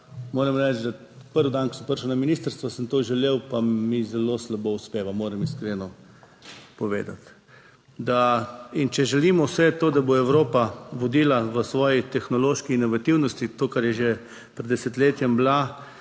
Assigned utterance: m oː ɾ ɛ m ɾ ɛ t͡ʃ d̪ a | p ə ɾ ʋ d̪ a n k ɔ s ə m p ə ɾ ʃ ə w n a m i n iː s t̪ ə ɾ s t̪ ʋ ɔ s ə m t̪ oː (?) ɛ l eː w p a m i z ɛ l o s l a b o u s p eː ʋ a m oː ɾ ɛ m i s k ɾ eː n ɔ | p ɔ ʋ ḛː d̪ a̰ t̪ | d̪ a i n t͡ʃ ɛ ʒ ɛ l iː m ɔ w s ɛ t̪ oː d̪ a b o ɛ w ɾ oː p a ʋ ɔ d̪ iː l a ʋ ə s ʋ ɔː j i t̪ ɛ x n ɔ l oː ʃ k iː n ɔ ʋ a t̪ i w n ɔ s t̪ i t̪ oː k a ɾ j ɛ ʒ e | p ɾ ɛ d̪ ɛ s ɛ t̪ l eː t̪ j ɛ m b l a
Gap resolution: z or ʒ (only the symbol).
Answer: ʒ